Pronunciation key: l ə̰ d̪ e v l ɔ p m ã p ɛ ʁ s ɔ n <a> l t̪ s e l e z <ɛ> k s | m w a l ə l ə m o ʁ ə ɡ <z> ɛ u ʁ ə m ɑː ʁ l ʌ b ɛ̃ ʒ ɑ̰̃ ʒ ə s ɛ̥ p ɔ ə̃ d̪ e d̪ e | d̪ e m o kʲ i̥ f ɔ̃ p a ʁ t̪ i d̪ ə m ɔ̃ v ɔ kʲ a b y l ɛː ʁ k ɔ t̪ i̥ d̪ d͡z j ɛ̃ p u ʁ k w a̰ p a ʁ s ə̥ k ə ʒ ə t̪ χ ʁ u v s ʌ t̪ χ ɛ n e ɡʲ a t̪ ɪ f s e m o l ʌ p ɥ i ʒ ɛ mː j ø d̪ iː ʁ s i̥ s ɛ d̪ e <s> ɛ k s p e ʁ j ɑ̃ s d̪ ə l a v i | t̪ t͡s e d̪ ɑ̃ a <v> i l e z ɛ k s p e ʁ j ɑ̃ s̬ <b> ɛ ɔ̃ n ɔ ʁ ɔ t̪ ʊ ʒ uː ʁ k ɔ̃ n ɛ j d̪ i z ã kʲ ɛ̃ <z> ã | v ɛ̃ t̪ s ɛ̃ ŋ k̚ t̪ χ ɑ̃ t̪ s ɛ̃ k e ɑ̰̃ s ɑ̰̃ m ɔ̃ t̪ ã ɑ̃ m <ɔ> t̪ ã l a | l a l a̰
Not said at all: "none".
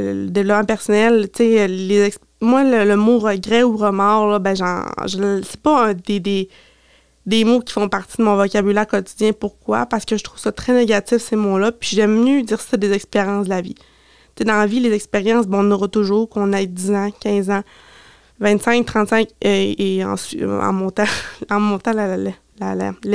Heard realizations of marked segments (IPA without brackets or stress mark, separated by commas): ɛ, ɛ, ʁ, z, v, b, z, ɔ̃